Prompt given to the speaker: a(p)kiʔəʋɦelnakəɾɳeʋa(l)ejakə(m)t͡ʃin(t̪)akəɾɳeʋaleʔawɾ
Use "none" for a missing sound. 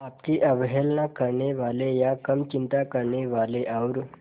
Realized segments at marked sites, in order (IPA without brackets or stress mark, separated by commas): p, l, m, t̪